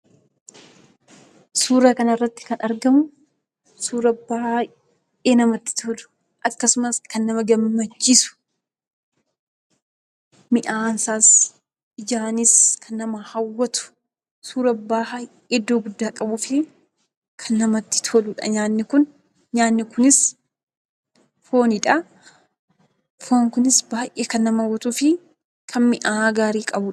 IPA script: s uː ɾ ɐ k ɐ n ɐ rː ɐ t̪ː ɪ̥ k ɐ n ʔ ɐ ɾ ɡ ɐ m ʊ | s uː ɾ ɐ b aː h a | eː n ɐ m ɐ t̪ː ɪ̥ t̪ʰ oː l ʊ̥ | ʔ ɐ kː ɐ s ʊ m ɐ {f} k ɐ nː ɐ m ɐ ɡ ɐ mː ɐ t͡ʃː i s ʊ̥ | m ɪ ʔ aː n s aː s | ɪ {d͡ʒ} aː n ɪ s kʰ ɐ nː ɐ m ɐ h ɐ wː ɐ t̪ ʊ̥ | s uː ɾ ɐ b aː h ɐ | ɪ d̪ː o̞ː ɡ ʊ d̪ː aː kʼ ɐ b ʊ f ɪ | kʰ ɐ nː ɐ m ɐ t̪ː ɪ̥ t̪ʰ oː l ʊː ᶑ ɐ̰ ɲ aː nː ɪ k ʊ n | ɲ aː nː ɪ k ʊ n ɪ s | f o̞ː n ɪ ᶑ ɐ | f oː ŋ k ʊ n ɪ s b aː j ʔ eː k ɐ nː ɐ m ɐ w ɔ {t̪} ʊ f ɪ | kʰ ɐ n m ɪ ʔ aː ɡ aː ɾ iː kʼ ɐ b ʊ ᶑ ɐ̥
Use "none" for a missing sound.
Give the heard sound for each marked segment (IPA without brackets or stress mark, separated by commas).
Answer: s, d͡ʒ, t̪